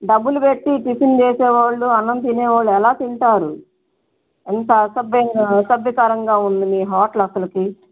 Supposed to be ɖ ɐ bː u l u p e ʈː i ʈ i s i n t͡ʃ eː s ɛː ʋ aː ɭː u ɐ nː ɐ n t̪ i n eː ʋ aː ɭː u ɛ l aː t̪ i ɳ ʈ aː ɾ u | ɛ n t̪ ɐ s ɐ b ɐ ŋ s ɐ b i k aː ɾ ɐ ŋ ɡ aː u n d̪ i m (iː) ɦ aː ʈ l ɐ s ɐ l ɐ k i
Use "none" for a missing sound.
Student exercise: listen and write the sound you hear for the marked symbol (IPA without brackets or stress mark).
iː